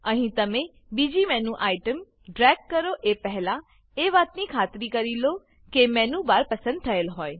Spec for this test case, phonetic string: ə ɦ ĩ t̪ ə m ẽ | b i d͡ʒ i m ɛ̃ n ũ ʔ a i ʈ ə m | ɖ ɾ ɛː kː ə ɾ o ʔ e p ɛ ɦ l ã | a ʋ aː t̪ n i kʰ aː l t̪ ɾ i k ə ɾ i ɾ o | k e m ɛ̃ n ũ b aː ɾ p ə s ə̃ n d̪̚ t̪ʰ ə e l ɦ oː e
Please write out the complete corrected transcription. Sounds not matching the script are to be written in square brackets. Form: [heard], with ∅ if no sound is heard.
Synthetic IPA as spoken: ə ɦ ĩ t̪ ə m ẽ | b i d͡ʒ i m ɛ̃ n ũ ʔ a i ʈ ə m | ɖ ɾ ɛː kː ə ɾ o ʔ e p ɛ ɦ l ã | [e] ʋ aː t̪ n i kʰ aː [∅] t̪ ɾ i k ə ɾ i [l] o | k e m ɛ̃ n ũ b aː ɾ p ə s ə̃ n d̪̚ t̪ʰ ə e l ɦ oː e